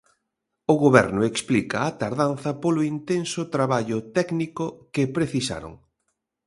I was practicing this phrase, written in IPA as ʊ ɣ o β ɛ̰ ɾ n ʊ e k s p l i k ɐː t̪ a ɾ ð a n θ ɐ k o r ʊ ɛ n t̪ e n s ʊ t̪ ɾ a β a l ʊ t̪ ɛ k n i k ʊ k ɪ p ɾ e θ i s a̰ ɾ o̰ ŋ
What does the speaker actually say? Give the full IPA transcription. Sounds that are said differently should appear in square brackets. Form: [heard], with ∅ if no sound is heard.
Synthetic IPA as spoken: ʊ ɣ o β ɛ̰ ɾ n ʊ e k s p l i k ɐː t̪ a ɾ ð a n θ ɐ [p] o [l] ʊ [i] n t̪ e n s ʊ t̪ ɾ a β a [ʎ] ʊ t̪ ɛ k n i k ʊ k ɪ p ɾ e θ i s a̰ ɾ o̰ ŋ